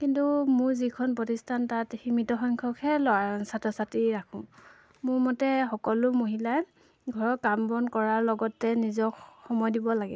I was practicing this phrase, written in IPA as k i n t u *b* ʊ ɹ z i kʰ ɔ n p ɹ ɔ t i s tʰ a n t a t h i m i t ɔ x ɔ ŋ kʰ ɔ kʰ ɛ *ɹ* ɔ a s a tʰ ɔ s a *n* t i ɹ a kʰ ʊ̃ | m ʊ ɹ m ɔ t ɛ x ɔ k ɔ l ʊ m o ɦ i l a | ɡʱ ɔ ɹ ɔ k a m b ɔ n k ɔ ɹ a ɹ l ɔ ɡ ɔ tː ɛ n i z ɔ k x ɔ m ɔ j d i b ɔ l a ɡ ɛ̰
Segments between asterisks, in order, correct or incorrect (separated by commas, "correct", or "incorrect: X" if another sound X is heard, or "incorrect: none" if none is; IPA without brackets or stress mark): incorrect: m, incorrect: l, incorrect: none